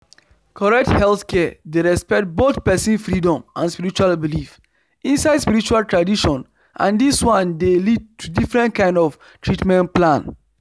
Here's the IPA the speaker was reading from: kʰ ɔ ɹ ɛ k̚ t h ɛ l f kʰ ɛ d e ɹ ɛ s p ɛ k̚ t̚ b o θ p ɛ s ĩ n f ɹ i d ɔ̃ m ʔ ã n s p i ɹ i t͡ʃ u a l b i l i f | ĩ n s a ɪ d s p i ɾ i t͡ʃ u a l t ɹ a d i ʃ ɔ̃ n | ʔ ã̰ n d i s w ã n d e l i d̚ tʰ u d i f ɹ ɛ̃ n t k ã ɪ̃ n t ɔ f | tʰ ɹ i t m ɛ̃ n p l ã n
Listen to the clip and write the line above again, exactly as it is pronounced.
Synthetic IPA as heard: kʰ ɔ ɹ ɛ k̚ t h ɛ l θ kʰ ɛ d e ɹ ɛ s p ɛ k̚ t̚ b o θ p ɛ s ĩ n f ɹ i d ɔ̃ m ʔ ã n s p i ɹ i t͡ʃ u a l b i l i f | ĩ n s a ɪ d s p i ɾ i t͡ʃ u a l t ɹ a d i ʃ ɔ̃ n | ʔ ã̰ n d i s w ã n d e l i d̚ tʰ u d i f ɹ ɛ̃ n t k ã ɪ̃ n d ɔ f | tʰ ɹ i t m ɛ̃ n p l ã n